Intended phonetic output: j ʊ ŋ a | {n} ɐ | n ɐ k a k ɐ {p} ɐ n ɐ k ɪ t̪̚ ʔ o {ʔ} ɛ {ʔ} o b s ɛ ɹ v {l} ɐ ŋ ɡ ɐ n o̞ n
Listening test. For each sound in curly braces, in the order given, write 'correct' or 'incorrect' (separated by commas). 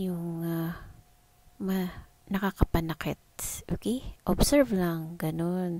incorrect, correct, incorrect, correct, correct